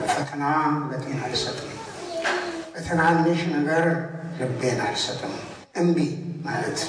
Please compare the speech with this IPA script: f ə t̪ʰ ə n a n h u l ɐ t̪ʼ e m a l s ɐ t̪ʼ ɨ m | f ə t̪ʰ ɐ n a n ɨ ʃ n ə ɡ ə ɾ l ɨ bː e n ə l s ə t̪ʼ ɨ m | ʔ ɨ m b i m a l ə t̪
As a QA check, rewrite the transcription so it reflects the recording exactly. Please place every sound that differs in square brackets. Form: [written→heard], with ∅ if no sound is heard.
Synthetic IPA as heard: f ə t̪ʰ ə n a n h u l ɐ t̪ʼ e [m→n] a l s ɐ t̪ʼ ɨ m | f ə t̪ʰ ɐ n a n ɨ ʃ n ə ɡ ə ɾ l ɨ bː e n [ə→a] l s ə t̪ʼ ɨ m | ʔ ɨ m b i m a l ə t̪